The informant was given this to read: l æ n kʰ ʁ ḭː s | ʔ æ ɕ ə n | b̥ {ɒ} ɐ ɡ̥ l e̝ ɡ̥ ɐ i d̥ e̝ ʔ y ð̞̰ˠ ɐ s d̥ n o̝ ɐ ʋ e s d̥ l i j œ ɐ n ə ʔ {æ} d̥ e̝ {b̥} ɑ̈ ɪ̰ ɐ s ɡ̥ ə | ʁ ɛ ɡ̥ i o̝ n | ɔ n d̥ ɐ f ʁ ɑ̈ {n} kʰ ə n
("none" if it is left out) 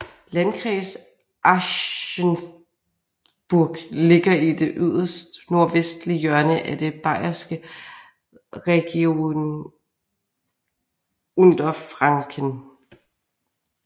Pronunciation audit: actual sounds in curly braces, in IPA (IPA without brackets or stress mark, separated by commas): u, æ, b̥, ŋ